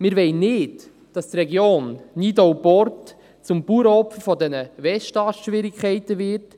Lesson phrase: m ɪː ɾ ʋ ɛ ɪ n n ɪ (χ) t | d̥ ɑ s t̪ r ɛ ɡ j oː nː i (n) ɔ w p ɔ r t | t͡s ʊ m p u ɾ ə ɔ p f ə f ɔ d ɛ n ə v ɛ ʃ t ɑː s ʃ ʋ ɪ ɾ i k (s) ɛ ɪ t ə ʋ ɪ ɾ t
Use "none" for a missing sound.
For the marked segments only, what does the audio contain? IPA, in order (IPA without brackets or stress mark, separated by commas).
none, d, χ